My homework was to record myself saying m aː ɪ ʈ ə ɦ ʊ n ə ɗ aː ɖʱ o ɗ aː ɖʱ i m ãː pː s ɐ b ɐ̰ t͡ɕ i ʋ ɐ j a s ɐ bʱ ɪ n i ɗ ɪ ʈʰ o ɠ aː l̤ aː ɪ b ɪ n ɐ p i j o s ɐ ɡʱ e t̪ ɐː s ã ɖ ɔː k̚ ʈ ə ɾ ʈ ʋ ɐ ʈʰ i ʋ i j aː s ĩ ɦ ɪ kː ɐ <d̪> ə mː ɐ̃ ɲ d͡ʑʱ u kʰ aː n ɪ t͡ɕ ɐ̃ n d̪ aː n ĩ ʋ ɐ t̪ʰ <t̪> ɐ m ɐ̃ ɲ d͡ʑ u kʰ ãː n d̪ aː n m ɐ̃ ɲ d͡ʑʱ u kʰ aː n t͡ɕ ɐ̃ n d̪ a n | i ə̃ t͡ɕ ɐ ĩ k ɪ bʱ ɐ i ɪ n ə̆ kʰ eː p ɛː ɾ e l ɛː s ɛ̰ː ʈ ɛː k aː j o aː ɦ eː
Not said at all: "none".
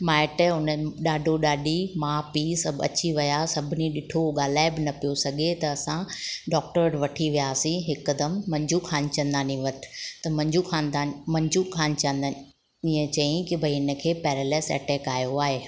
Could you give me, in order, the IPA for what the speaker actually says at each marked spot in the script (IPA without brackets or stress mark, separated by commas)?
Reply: d̪, t̪